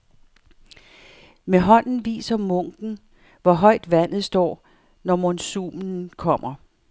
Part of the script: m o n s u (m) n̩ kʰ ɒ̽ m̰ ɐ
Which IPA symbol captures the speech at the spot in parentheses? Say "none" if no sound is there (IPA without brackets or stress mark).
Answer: m